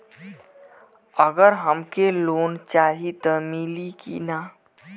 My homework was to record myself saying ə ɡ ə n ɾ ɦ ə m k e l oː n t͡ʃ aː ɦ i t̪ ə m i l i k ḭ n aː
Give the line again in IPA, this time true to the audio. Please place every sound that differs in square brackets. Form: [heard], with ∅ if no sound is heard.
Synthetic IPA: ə ɡ ə [∅] ɾ ɦ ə m k e l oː n t͡ʃ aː ɦ i t̪ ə m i l i k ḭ n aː